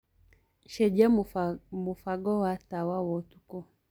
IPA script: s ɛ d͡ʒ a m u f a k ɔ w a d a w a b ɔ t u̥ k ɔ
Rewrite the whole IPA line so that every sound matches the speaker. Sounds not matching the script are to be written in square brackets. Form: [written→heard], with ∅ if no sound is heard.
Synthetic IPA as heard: [s→ʃ] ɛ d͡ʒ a m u f a [k→ɡ] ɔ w a [d→t] a w a [b→w] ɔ t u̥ k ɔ

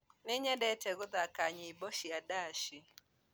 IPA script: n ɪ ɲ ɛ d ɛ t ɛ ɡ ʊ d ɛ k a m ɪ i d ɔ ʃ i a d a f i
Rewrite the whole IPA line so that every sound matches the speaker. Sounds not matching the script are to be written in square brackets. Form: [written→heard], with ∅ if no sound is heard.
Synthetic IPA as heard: n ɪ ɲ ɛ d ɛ t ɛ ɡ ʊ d [ɛ→a] k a [m→ɲ] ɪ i [d→b] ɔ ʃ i a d a [f→ʃ] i

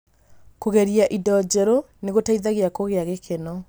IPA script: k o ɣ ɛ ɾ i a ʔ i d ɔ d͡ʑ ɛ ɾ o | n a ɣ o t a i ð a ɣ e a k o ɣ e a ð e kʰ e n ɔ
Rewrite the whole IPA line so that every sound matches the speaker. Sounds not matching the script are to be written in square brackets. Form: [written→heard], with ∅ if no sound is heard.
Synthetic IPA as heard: k o ɣ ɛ ɾ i a ʔ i d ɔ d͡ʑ ɛ ɾ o | n [a→e] ɣ o t a i ð a ɣ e a k o ɣ e a [ð→ɣ] e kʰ e n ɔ

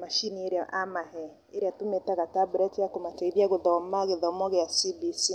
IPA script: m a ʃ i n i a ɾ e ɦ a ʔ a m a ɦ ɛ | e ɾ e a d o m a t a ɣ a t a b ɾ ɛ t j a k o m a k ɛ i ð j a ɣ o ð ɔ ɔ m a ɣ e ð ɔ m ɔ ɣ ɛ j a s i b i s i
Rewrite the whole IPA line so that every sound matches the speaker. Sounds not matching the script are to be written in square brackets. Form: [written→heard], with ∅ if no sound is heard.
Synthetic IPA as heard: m a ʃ i n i [a→e] ɾ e [ɦ→∅] a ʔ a m a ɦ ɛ | e ɾ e a [d→t] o m [a→e] t a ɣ a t a b ɾ ɛ t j a k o m a [k→t] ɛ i ð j a ɣ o ð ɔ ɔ m a ɣ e ð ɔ m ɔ ɣ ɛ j a s i b i s i

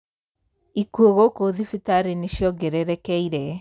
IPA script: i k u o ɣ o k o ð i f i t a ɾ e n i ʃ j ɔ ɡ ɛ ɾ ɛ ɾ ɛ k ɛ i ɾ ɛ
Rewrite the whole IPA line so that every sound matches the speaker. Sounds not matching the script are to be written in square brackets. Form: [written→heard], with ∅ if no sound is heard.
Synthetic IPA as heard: i k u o ɣ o k o ð i f i t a ɾ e n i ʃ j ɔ ɡ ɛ ɾ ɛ ɾ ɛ k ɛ i ɾ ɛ

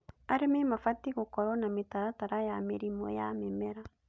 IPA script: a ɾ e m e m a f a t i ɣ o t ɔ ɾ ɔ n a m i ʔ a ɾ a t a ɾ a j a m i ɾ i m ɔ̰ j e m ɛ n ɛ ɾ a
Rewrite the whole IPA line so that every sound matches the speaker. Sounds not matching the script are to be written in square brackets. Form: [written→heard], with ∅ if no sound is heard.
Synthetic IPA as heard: a ɾ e m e m a f a t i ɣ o [t→k] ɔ ɾ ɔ n a m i [ʔ→t] a ɾ a t a ɾ a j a m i ɾ i m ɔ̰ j [e→a] m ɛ [n→m] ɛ ɾ a

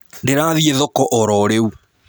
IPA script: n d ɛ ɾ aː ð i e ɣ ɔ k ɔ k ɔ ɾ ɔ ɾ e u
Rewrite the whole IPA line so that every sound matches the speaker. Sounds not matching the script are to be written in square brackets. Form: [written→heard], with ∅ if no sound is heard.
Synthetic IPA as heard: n d [ɛ→e] ɾ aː ð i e [ɣ→ð] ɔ k ɔ [k→ʔ] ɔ ɾ ɔ ɾ e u

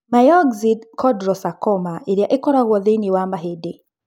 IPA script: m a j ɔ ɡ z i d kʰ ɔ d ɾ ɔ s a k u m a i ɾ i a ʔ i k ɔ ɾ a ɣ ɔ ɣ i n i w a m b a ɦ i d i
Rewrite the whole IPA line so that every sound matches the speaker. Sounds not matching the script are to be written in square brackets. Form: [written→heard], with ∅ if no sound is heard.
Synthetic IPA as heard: m a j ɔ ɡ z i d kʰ ɔ d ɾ ɔ s a k [u→ɔ] m a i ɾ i a ʔ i k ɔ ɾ a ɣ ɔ [ɣ→ð] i n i w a m b a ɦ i d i

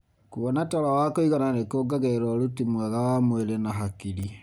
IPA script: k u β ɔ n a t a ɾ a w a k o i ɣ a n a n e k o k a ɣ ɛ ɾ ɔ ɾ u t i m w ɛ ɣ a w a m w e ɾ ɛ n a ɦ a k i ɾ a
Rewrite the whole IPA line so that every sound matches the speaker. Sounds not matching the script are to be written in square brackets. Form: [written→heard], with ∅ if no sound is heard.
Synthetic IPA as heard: k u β ɔ n a t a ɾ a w a k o i ɣ a n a n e k o [k→ɡ] a ɣ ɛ ɾ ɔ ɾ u t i m w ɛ ɣ a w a m w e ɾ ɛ n a ɦ a k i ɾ [a→i]

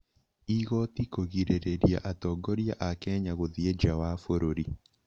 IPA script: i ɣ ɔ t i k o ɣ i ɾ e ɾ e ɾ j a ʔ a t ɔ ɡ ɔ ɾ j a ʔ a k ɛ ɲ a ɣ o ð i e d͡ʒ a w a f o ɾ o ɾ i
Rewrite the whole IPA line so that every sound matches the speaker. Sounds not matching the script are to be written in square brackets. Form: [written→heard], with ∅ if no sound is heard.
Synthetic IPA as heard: i ɣ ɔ t i k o ɣ i ɾ e ɾ e ɾ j a ʔ a t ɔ ɡ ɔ ɾ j a ʔ a k ɛ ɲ a ɣ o ð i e d͡ʒ a w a f o ɾ o ɾ i

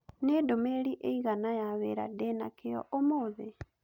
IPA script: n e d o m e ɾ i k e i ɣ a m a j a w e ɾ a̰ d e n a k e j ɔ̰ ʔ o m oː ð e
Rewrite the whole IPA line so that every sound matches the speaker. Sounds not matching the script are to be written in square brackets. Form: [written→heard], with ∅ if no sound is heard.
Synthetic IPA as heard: n e d o m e ɾ i [k→ʔ] e i ɣ a [m→n] a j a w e ɾ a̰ d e n a k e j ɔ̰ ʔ o m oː ð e

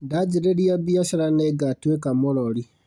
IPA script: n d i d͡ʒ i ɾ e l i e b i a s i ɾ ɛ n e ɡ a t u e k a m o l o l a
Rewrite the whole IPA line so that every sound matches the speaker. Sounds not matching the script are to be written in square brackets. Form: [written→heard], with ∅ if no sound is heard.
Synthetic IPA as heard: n d [i→a] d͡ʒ i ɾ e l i [e→a] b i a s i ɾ [ɛ→a] n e ɡ a t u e k a m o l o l [a→i]

